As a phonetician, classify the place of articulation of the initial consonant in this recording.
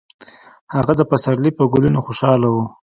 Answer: glottal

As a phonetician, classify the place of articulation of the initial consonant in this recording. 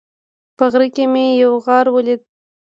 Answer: labial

